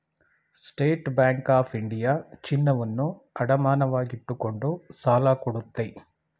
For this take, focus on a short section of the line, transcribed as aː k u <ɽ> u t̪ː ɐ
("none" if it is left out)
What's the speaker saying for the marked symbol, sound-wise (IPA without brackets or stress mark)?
ɽ